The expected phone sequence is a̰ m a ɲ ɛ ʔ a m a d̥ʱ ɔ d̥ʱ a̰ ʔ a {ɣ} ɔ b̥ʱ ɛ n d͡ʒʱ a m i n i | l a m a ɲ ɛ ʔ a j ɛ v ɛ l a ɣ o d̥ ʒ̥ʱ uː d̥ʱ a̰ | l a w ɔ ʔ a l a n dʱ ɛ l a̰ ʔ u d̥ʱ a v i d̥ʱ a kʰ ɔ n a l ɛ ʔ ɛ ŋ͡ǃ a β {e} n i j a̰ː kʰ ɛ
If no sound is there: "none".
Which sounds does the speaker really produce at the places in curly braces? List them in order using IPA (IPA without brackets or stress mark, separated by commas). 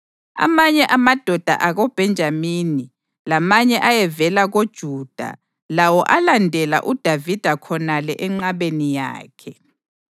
ɣ, e